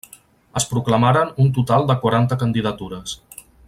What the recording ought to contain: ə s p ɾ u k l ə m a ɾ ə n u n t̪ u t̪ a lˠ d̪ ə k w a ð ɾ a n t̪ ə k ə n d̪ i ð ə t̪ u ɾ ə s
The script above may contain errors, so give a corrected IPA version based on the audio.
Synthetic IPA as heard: ə s p ɾ u k l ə m a ɾ ə n u n t̪ u t̪ a lˠ d̪ ə k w a ɾ a n t̪ ə k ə n d̪ i ð ə t̪ u ɾ ə s